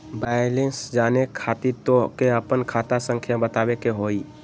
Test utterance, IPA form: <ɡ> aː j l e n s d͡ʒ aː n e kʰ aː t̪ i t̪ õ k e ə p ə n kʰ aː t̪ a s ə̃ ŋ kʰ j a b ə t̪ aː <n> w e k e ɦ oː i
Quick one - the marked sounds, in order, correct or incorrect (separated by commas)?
incorrect, incorrect